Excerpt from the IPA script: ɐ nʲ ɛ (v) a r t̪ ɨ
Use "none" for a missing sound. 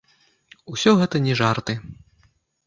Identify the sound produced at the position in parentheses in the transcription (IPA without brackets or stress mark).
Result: ʐ